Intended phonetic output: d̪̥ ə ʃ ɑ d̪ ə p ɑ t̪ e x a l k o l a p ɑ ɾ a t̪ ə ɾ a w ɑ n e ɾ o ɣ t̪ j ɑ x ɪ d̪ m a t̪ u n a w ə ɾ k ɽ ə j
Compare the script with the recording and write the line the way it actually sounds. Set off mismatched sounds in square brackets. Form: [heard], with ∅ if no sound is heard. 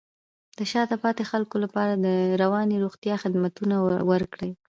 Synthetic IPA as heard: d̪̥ ə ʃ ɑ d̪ ə p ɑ t̪ e x a l k o l a p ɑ ɾ a [d̪] ə ɾ a w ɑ n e ɾ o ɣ t̪ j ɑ x ɪ d̪ m a t̪ u n a w ə ɾ k ɽ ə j